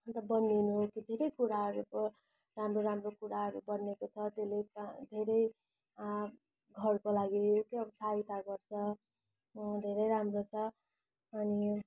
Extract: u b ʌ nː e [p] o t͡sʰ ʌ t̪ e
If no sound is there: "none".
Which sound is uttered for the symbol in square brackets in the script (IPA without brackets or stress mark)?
k